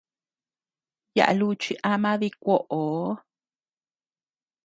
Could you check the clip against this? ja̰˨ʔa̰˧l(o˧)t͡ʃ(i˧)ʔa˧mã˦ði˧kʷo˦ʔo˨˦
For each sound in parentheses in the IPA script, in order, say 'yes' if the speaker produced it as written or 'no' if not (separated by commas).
no, yes